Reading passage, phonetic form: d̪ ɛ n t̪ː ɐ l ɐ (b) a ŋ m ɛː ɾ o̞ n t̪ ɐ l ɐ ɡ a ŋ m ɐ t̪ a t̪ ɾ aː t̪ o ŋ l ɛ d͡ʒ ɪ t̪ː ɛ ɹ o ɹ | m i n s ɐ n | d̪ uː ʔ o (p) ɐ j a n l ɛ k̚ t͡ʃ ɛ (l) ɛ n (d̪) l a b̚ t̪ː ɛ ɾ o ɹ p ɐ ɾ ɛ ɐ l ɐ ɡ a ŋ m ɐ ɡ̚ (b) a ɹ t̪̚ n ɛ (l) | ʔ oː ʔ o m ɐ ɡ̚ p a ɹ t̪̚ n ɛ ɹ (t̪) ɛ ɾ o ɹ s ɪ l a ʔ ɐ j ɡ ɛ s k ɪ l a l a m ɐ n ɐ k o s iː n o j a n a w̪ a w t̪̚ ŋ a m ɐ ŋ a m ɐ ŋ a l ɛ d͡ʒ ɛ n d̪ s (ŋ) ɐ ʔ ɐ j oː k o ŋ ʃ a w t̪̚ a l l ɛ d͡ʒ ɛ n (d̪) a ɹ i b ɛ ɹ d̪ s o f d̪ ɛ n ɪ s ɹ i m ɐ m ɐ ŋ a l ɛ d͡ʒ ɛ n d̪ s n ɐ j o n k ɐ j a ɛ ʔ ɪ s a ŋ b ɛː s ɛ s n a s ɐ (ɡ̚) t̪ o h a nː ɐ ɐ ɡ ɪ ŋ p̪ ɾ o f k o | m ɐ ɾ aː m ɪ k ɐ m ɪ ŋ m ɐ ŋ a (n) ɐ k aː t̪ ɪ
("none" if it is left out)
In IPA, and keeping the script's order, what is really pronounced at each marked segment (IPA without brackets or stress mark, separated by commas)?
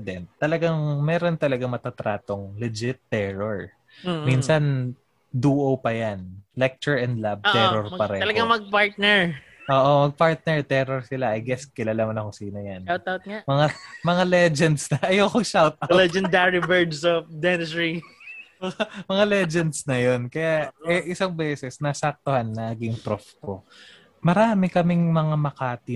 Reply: ɡ, p, ɹ, d̪, p, ɹ, t̪, n, d̪, k̚, m